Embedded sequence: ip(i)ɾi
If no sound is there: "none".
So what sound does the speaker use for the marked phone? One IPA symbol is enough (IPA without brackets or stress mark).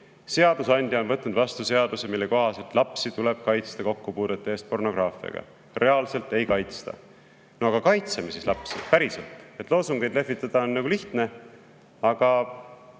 æ